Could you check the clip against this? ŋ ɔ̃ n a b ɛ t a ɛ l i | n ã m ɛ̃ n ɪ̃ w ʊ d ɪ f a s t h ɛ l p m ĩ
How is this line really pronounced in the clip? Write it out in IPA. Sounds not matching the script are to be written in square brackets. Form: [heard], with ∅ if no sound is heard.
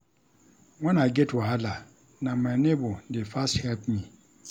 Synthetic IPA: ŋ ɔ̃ n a [ɡ] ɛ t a [a] l [a] | n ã m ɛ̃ n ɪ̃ [b] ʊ d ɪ f a s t h ɛ l p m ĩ